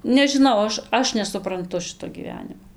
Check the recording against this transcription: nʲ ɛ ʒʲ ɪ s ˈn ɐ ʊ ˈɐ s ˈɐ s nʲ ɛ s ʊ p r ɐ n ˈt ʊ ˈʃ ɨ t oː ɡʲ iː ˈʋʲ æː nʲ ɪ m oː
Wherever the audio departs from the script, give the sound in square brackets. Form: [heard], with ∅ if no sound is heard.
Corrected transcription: nʲ ɛ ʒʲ ɪ [∅] ˈn ɐ ʊ ˈɐ [ʃ] ˈɐ [ʃ] nʲ ɛ s ʊ p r ɐ n ˈt ʊ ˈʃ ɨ t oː ɡʲ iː ˈʋʲ æː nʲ ɪ m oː